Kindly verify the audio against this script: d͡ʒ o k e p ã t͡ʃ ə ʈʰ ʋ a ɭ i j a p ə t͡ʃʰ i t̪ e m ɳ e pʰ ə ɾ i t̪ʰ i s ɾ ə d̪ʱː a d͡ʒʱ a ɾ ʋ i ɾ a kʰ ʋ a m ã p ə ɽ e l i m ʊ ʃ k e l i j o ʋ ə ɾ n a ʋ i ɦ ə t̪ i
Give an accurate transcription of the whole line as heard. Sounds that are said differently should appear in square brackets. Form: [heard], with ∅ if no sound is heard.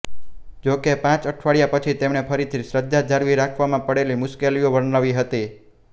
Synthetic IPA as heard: d͡ʒ o k e p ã t͡ʃ ə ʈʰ ʋ a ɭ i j a p ə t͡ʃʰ i t̪ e m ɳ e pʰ ə ɾ i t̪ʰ i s ɾ ə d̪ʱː a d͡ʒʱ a ɾ ʋ i ɾ a kʰ ʋ a m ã p ə ɽ e l i m ʊ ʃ k e l i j o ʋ ə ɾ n a ʋ i ɦ ə t̪ i